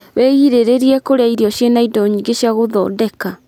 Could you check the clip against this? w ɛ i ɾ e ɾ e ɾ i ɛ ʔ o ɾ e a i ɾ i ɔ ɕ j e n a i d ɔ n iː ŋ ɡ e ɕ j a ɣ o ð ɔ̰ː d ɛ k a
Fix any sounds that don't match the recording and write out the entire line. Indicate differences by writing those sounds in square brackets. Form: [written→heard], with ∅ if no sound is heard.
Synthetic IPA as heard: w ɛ i ɾ e ɾ e ɾ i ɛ [ʔ→k] o ɾ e a i ɾ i ɔ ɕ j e n a i d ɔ [n→ɲ] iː ŋ ɡ e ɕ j a ɣ o ð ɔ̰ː d ɛ k a